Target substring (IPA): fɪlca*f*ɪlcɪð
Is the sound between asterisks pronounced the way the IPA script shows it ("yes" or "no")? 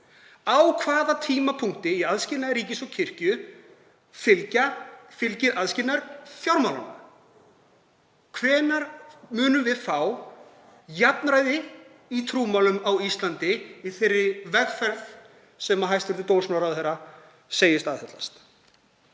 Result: yes